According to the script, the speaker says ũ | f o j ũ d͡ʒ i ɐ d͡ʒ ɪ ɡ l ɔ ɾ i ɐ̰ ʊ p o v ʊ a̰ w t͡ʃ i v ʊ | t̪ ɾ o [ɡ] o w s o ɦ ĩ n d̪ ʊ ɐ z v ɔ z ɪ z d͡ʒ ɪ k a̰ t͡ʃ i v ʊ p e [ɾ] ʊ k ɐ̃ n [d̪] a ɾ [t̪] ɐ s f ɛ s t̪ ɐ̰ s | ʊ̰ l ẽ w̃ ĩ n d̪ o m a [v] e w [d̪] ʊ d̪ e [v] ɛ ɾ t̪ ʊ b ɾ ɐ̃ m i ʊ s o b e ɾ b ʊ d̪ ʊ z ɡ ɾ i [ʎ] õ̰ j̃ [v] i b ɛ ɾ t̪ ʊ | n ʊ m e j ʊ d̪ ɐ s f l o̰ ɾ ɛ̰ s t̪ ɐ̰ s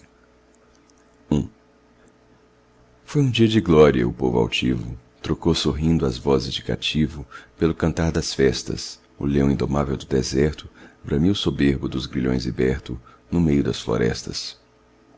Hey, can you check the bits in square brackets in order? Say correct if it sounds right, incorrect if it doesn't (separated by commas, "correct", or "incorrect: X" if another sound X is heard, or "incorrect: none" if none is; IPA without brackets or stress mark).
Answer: incorrect: k, incorrect: l, incorrect: t̪, incorrect: d̪, correct, correct, incorrect: z, correct, incorrect: z